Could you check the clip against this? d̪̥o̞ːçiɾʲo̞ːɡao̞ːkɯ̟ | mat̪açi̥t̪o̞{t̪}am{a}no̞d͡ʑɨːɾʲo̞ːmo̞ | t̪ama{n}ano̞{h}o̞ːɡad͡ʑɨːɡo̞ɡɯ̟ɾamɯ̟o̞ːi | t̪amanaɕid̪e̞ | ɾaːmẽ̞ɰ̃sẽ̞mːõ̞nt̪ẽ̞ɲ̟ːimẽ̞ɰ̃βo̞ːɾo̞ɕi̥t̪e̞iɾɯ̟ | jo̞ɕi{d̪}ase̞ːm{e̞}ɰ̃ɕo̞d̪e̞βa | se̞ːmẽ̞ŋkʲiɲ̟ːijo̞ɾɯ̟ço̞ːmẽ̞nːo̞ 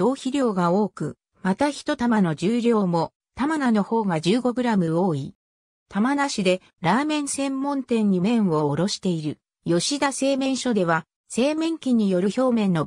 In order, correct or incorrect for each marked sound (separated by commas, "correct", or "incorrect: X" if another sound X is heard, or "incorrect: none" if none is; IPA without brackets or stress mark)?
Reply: correct, correct, correct, correct, correct, incorrect: ẽ̞